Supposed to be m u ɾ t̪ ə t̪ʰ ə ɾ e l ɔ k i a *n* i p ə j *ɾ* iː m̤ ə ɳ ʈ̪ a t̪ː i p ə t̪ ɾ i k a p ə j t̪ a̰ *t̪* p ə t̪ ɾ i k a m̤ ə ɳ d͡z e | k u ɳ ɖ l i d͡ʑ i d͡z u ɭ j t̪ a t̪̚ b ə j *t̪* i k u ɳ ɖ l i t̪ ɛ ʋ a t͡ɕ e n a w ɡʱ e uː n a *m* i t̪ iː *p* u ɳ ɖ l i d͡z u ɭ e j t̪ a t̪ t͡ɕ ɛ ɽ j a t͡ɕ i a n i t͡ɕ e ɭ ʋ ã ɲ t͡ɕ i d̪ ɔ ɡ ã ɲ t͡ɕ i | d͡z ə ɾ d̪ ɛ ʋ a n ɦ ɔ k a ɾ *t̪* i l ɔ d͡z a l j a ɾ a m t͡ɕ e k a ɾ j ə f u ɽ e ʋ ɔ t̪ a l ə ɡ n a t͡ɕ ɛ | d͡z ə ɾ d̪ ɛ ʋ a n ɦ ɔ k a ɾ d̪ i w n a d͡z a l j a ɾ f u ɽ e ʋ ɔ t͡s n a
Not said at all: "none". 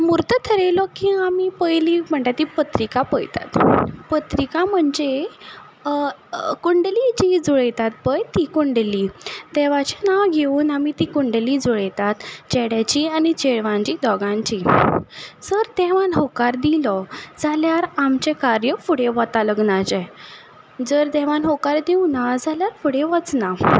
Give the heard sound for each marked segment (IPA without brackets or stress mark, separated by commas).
m, l, t̪, t̪, m, k, d̪